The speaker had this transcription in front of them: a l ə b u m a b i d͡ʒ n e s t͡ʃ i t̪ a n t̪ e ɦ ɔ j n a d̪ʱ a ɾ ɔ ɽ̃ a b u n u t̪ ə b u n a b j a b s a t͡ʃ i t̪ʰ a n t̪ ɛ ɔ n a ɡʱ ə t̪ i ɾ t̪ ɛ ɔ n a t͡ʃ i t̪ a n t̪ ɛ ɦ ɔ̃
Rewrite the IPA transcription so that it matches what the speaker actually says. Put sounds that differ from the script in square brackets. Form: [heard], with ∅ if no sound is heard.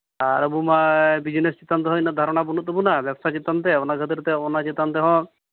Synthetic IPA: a [ɾ] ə b u m a b i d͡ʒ n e s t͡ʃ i t̪ a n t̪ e ɦ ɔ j n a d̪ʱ a ɾ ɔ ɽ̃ a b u n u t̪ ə b u n a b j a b s a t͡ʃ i [t̪] a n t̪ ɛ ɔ n a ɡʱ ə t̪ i ɾ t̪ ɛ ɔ n a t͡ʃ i t̪ a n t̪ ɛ ɦ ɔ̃